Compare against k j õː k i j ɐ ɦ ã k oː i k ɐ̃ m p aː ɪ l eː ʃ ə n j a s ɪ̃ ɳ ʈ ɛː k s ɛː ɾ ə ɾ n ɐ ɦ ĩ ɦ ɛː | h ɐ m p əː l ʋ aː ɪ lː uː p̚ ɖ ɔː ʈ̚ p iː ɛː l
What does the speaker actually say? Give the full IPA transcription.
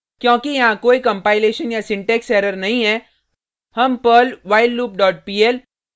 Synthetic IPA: k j õː k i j ɐ ɦ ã k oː i k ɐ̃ m p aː ɪ l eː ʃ ə n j a s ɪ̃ ɳ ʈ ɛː k s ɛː ɾ ə ɾ n ɐ ɦ ĩ ɦ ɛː | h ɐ m p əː l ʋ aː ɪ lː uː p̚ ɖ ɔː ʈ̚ p iː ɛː l